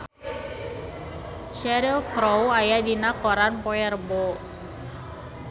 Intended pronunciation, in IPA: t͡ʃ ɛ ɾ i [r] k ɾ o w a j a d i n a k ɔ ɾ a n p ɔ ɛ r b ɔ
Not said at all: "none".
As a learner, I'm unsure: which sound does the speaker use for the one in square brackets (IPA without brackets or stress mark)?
l